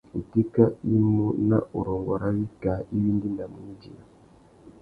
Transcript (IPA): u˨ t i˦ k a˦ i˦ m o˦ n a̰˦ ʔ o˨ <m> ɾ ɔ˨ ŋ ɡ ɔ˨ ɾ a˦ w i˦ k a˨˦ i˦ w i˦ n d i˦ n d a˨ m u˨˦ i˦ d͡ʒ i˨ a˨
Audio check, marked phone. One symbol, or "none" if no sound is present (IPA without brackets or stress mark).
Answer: none